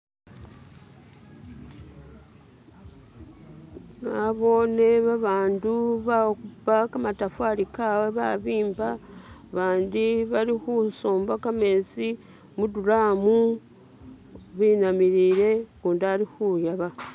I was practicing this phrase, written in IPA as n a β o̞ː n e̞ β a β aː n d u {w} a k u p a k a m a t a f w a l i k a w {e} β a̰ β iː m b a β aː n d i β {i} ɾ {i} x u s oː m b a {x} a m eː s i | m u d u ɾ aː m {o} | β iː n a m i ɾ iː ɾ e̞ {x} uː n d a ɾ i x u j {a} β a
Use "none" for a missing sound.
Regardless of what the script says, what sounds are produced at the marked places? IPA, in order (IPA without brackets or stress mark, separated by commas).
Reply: β, e, a, i, k, u, k, a